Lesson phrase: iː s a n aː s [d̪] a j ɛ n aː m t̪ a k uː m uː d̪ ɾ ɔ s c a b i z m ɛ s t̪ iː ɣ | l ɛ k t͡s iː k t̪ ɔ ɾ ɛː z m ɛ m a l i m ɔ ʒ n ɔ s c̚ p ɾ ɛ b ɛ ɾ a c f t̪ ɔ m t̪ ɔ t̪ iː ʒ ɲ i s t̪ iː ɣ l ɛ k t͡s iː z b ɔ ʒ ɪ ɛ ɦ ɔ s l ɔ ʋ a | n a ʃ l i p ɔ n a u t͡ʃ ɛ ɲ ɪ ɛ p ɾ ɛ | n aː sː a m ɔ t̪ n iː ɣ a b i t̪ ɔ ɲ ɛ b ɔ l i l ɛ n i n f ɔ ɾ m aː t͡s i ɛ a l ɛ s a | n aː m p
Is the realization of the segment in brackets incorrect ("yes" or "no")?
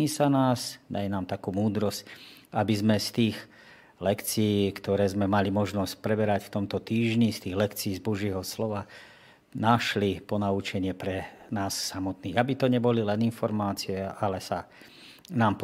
no